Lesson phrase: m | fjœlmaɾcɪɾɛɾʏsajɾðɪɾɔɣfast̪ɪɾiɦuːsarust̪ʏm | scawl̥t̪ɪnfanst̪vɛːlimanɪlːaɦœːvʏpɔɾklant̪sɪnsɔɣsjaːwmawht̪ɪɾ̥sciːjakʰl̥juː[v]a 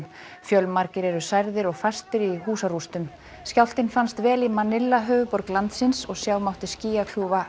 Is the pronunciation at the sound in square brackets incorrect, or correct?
correct